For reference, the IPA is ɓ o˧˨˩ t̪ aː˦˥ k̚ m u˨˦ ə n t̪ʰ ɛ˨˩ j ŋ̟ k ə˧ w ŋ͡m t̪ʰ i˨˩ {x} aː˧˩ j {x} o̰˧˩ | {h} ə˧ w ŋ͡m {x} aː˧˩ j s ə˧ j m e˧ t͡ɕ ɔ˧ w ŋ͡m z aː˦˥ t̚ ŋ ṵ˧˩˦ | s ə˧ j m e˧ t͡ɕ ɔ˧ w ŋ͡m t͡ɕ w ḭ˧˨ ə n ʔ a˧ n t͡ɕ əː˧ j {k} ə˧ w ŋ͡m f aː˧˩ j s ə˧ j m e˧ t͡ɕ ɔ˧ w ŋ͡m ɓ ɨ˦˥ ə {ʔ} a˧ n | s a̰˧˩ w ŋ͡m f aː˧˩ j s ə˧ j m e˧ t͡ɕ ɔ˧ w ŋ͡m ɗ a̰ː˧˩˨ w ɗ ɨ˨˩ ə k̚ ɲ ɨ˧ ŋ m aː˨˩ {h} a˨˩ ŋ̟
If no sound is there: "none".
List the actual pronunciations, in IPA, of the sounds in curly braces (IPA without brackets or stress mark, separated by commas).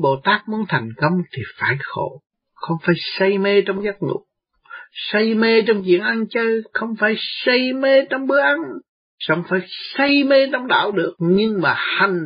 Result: f, x, x, f, x, ʔ, h